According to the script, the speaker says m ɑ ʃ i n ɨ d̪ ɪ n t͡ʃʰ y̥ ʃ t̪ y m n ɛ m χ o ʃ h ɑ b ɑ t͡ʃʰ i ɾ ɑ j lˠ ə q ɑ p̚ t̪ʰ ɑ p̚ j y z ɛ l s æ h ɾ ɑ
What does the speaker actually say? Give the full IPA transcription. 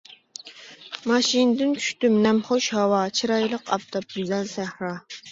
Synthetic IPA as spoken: m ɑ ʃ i n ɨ d̪ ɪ n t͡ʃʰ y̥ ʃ t̪ y m n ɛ m χ o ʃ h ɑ w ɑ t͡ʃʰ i ɾ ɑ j lˠ ə q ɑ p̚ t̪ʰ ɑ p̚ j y z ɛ l s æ h ɾ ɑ